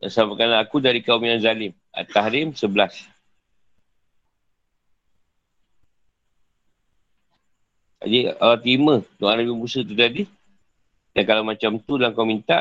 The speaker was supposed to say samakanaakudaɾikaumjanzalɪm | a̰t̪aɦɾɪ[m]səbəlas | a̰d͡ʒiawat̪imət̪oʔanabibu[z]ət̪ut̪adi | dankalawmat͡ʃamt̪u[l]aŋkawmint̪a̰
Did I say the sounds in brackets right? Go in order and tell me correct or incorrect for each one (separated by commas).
correct, incorrect, correct